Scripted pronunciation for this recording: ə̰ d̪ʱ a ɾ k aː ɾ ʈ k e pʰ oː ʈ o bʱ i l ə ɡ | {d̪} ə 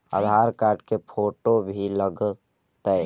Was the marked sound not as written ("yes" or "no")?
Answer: yes